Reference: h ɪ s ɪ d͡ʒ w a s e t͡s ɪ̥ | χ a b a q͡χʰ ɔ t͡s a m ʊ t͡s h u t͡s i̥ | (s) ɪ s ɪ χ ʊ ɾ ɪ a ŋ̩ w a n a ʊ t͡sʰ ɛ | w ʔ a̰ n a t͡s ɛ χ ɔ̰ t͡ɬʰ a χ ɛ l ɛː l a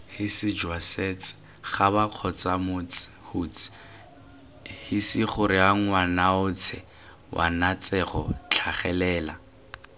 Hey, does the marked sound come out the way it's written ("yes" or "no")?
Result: no